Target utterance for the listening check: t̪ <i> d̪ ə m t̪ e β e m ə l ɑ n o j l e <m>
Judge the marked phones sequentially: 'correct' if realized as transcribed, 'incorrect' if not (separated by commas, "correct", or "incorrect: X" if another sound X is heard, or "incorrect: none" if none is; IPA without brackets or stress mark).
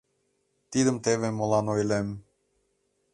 correct, correct